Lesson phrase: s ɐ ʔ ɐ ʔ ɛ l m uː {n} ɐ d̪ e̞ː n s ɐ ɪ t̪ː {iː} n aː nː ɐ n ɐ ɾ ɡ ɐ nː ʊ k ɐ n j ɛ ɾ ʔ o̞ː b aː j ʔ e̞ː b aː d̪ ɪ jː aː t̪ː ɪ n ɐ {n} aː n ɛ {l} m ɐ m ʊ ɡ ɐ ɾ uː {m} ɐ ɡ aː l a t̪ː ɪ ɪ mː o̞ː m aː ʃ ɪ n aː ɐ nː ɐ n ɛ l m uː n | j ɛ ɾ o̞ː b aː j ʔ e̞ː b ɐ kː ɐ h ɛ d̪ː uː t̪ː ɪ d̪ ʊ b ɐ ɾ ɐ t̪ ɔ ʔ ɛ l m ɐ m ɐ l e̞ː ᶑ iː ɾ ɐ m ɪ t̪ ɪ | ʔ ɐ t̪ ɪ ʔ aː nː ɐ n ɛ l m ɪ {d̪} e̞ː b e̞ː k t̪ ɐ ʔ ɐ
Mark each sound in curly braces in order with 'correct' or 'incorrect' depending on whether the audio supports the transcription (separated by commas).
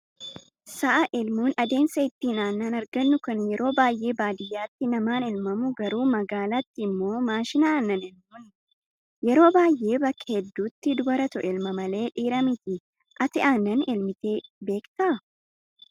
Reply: correct, correct, incorrect, correct, correct, incorrect